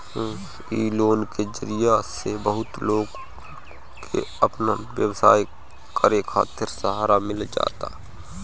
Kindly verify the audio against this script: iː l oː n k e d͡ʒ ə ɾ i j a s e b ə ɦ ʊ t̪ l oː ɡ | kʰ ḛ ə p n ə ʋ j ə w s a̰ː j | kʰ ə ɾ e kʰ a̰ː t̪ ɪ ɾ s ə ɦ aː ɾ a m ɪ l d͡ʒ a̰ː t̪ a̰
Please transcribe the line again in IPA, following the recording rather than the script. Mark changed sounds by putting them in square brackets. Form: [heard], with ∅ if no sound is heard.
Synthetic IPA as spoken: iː l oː n k e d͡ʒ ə ɾ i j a s e b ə ɦ ʊ t̪ l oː ɡ | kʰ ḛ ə p n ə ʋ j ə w s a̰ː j | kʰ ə ɾ e kʰ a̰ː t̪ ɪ ɾ s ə ɦ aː ɾ a m ɪ l d͡ʒ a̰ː t̪ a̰